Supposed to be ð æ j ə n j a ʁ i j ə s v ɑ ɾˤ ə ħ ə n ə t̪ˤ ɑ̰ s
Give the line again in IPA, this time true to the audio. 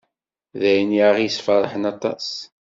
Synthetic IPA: ð æ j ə n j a ʁ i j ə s f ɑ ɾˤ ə ħ ə n ɑ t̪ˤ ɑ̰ s